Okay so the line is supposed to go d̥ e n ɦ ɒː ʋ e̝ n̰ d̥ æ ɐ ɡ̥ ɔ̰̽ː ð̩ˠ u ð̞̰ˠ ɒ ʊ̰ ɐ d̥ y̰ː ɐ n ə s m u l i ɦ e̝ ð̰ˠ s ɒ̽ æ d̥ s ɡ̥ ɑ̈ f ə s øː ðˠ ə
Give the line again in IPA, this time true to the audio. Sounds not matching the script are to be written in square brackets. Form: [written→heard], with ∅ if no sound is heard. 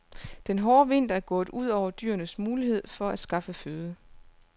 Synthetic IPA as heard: d̥ e n ɦ ɒː ʋ e̝ n̰ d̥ æ ɐ ɡ̥ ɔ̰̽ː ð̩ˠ u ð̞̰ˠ ɒ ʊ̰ ɐ d̥ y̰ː ɐ n ə s m [u→uː] l i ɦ e̝ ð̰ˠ [s→f] ɒ̽ æ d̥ s ɡ̥ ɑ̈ f ə [s→f] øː ðˠ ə